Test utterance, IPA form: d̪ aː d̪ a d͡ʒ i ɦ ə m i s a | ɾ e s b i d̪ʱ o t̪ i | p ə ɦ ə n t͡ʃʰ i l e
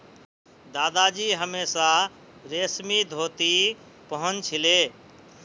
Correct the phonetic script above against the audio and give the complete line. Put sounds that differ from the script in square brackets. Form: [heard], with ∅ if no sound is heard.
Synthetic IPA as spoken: d̪ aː d̪ a d͡ʒ i ɦ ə m [e] s a | ɾ e s [m] i d̪ʱ o t̪ i | p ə ɦ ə n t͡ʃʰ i l e